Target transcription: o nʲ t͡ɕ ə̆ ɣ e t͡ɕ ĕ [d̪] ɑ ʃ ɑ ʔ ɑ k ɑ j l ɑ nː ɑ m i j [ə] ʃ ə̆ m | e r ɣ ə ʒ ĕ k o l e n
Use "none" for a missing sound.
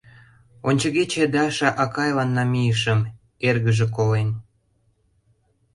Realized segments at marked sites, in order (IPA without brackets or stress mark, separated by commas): d̪, ə